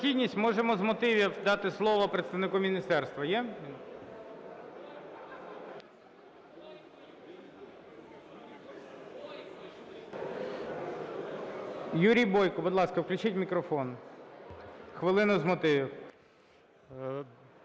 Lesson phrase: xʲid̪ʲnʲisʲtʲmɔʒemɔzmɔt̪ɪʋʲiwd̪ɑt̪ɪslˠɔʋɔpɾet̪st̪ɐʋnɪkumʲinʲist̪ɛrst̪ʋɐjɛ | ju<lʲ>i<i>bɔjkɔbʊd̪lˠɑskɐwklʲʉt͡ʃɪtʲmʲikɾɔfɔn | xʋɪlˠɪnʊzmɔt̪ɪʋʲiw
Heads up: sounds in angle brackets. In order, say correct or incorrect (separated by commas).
incorrect, incorrect